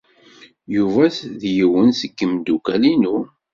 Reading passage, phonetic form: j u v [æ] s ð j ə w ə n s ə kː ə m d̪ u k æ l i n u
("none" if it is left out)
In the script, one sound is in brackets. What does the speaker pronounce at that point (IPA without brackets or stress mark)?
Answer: æ